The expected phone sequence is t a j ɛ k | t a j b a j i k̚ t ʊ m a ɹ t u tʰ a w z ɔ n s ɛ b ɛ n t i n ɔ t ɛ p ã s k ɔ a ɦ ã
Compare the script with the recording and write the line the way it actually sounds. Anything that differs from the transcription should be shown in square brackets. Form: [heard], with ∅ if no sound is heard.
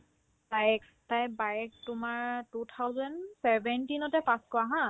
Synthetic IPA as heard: t a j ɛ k | t a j b a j [ɛ] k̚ t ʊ m a ɹ t u tʰ a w z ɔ n s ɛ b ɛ n t i n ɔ t ɛ p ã s k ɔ a ɦ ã